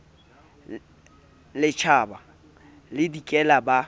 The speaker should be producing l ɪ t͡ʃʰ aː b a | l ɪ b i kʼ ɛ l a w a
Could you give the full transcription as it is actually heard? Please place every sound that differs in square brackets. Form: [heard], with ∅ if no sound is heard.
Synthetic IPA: l ɪ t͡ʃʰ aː b a | l ɪ [d] i kʼ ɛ l a [b] a